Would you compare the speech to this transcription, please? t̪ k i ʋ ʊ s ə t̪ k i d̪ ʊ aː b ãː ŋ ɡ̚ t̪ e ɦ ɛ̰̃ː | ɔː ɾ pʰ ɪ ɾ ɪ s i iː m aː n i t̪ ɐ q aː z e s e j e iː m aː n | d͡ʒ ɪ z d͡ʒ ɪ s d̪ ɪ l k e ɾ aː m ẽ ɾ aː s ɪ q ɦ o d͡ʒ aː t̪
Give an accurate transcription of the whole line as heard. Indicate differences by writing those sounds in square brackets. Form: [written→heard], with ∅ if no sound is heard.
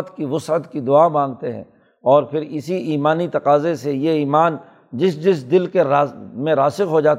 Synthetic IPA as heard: t̪ k i ʋ ʊ s ə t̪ k i d̪ ʊ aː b ãː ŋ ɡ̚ t̪ e ɦ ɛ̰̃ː | ɔː ɾ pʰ ɪ ɾ ɪ s i iː m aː n i t̪ ɐ q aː z e s e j e iː m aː n | d͡ʒ ɪ [z→s] d͡ʒ ɪ s d̪ ɪ l k e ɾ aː m ẽ ɾ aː s ɪ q ɦ o d͡ʒ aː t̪